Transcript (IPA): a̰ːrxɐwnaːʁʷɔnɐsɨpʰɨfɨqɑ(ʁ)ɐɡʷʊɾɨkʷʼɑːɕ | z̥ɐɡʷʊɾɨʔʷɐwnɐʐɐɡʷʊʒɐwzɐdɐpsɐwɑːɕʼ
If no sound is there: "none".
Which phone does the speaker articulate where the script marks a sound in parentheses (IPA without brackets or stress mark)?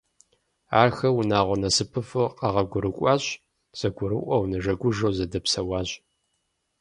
ʁ